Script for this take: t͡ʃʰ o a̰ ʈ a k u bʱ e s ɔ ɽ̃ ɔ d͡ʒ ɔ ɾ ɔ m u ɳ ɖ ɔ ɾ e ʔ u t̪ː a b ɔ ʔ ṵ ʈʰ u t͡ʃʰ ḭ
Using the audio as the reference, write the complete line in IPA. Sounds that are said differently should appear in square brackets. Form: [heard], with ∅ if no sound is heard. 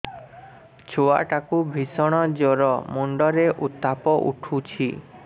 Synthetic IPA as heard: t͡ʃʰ o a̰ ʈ a k u bʱ [i] s ɔ ɽ̃ ɔ d͡ʒ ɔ ɾ ɔ m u ɳ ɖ ɔ ɾ e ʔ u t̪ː a [p] ɔ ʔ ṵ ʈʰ u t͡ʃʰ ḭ